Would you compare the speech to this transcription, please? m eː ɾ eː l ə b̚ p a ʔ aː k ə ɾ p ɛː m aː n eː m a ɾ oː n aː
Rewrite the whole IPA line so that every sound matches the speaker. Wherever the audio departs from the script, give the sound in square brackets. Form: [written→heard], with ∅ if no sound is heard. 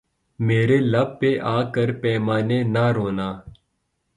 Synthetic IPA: m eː ɾ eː l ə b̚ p [a→e] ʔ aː k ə ɾ p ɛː m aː n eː [m→n] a ɾ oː n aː